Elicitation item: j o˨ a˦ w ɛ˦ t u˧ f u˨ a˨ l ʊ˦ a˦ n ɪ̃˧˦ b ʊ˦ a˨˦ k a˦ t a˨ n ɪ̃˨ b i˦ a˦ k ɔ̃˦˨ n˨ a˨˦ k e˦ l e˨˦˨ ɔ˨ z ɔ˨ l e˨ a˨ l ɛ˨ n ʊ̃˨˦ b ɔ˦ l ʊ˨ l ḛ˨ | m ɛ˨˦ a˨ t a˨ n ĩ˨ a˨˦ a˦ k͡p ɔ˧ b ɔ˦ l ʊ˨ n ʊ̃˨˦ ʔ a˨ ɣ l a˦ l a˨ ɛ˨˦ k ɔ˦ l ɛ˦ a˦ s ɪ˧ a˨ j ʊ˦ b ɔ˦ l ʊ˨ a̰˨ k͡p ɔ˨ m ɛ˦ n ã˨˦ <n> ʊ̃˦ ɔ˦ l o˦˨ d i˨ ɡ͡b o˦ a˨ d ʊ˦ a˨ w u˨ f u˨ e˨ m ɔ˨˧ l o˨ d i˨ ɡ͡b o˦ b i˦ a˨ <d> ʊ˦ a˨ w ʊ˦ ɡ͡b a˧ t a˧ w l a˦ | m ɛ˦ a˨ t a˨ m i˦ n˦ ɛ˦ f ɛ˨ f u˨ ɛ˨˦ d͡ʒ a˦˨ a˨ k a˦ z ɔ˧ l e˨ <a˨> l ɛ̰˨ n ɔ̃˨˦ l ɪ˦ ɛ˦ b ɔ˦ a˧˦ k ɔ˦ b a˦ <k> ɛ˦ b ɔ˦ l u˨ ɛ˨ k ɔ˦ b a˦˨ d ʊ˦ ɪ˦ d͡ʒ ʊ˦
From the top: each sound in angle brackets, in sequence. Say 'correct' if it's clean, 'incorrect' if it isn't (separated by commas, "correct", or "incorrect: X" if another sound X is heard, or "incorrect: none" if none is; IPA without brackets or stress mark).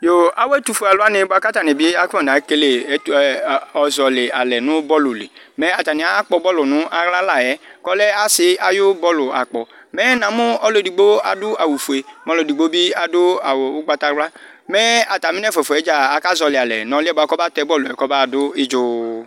incorrect: m, correct, correct, incorrect: t